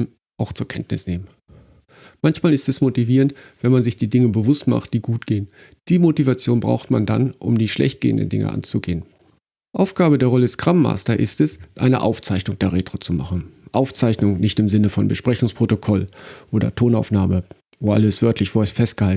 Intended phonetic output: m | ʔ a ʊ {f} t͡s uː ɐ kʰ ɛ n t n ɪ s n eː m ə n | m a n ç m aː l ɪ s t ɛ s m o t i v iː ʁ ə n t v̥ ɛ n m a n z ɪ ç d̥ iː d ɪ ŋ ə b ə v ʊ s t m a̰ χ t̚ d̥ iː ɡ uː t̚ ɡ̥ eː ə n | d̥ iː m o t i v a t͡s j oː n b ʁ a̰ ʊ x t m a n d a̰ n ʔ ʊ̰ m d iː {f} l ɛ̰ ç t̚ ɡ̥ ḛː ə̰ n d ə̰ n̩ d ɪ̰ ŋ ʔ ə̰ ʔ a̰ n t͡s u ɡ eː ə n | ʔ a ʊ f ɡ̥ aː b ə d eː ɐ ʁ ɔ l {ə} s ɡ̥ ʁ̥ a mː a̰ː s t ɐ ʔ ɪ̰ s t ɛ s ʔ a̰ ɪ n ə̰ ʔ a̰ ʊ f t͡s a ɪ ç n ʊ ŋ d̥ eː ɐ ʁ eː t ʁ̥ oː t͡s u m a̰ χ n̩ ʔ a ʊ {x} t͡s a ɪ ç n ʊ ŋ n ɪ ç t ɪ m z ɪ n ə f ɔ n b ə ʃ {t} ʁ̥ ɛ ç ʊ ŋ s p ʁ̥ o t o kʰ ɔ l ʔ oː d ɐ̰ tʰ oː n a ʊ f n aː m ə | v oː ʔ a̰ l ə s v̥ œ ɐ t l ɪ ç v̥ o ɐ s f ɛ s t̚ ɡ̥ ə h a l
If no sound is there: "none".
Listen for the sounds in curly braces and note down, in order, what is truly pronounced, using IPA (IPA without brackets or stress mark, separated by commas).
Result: x, ʃ, ə, f, p